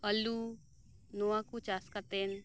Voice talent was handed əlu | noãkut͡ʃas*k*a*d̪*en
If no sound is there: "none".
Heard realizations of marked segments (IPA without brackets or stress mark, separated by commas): k, t̪